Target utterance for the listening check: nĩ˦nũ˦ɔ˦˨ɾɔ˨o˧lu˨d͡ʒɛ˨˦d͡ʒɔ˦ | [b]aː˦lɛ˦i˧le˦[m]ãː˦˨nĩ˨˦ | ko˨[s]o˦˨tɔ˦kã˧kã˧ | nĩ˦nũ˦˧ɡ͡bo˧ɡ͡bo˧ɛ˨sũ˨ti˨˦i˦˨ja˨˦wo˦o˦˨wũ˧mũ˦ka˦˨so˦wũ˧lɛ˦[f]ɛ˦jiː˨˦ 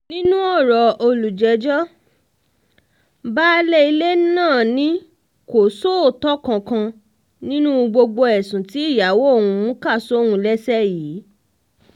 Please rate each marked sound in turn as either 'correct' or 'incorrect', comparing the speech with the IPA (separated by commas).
correct, incorrect, correct, incorrect